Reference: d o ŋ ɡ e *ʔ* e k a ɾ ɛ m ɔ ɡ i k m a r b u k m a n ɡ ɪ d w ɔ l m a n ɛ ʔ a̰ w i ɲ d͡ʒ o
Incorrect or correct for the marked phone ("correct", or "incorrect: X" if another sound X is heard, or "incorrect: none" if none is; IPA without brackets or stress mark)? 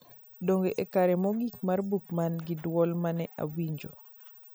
correct